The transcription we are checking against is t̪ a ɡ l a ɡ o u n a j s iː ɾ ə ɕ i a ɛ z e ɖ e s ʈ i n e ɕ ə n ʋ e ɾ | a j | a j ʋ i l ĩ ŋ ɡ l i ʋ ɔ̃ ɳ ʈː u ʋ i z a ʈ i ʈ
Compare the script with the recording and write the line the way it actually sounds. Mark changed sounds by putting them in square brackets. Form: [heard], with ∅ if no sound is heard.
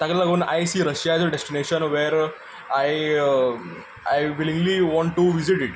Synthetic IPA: t̪ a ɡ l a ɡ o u n a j s iː ɾ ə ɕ [j] a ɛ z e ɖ e s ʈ i n e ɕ ə n ʋ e ɾ | a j | a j ʋ i l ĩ ŋ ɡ l i ʋ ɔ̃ ɳ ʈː u ʋ i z [i] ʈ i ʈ